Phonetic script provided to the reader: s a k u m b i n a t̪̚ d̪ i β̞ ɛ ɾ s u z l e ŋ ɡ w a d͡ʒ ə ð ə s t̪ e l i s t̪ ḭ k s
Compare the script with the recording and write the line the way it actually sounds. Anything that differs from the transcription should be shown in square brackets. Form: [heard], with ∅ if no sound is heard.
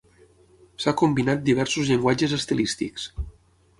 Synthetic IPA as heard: s a k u m b i n a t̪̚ d̪ i β̞ ɛ ɾ s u z [ʎ] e ŋ ɡ w a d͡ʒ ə [z] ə s t̪ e l i s t̪ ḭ k s